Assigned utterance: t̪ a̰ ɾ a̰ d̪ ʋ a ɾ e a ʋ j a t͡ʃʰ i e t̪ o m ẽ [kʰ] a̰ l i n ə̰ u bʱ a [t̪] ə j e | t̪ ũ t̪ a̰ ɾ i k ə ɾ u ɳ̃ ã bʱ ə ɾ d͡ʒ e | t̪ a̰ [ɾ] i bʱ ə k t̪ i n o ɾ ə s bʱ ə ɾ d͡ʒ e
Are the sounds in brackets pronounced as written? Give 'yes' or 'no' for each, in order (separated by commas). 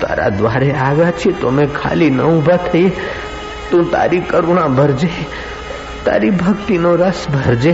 yes, no, yes